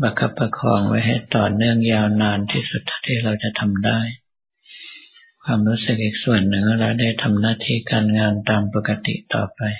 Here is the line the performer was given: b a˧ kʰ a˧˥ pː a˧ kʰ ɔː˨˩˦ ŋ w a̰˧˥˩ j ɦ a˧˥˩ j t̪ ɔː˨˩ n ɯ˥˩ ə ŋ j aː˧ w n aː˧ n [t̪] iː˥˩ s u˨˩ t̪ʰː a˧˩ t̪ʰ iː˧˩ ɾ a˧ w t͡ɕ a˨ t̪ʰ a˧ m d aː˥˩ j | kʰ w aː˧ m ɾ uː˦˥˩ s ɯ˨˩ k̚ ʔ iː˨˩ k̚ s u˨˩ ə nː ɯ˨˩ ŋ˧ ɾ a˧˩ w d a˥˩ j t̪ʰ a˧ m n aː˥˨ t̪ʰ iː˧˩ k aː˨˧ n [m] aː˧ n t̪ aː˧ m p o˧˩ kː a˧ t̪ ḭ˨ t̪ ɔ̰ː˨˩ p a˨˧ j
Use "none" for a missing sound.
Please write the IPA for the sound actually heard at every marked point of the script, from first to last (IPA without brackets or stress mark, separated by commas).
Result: t̪ʰ, ŋ